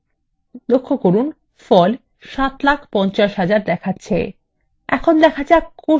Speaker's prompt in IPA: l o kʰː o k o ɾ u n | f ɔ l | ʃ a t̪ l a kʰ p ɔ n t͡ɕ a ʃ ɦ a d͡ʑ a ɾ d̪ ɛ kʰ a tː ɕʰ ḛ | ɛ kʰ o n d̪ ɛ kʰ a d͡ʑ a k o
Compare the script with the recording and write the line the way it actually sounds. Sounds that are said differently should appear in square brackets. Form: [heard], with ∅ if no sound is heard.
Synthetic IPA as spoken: l o kʰː o k o ɾ u n | f ɔ l | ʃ a t̪ l a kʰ p ɔ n t͡ɕ a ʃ ɦ a d͡ʑ a ɾ d̪ ɛ kʰ a tː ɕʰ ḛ | ɛ kʰ o n d̪ ɛ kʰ a d͡ʑ a k o